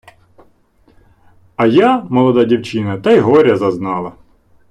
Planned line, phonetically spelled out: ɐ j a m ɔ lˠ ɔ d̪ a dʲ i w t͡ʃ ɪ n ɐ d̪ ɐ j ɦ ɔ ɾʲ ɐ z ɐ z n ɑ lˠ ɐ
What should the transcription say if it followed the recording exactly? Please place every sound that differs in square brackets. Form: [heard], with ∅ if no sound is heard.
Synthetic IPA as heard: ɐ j a m ɔ lˠ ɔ d̪ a dʲ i w t͡ʃ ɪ n ɐ [t̪] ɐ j ɦ ɔ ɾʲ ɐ z ɐ z n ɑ lˠ ɐ